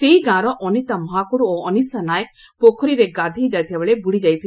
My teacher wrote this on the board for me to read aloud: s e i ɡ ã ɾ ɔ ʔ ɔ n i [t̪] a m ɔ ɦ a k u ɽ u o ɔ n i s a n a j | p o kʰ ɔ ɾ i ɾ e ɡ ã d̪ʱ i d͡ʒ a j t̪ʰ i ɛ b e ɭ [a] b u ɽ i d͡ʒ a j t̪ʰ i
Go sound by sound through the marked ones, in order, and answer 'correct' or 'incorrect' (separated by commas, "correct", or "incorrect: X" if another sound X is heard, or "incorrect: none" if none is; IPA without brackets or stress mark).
correct, incorrect: e